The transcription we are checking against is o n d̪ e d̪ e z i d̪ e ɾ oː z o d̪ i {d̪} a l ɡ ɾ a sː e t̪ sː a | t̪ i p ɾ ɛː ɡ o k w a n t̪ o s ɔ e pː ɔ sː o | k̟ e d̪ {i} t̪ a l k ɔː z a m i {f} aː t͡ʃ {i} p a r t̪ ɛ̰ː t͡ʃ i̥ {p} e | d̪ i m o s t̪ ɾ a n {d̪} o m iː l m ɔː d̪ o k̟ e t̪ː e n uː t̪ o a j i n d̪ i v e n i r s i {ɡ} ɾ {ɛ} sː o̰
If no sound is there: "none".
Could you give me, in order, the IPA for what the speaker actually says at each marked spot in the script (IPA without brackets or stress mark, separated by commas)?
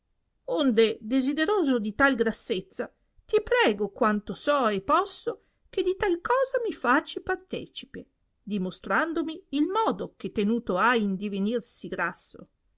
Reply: t̪, i, f, i, p, d̪, ɡ, a